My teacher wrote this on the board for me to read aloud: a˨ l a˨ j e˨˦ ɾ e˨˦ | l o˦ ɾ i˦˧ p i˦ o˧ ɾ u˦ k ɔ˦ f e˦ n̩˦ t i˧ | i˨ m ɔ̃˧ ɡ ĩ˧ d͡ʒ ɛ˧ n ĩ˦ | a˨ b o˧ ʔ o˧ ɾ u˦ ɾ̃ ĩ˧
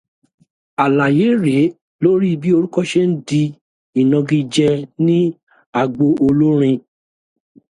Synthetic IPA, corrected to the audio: a˨ l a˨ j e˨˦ ɾ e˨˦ | l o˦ ɾ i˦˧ b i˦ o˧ ɾ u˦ k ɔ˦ ʃ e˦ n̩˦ d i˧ | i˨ n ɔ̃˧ ɡ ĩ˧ d͡ʒ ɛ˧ n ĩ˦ | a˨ ɡ͡b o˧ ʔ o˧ l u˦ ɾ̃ ĩ˧